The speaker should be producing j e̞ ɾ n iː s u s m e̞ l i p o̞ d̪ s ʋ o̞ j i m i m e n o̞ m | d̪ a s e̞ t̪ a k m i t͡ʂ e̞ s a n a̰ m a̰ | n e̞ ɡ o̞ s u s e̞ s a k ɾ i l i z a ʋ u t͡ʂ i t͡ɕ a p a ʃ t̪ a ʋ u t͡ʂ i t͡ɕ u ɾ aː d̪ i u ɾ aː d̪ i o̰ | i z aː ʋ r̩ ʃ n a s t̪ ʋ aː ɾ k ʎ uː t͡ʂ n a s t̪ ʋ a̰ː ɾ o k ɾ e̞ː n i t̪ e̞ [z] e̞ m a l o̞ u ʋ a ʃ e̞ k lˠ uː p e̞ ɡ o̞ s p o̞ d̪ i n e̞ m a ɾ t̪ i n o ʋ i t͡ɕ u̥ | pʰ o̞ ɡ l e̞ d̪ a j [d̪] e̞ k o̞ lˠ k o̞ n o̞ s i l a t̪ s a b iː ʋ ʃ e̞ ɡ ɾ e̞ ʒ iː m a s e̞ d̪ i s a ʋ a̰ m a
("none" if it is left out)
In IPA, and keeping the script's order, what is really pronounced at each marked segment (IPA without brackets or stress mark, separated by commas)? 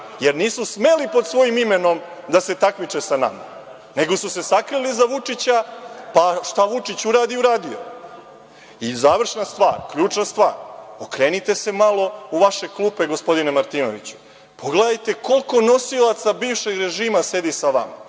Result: s, t̪